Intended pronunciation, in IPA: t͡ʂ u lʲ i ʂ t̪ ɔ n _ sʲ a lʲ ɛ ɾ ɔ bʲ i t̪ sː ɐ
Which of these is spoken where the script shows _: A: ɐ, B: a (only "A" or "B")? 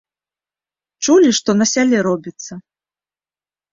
A